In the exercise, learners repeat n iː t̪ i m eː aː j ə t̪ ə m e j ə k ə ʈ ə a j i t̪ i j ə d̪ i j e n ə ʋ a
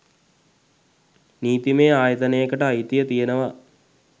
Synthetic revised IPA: n iː t̪ i m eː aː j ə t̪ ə n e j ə k ə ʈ ə a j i t̪ i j ə t̪ i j e n ə ʋ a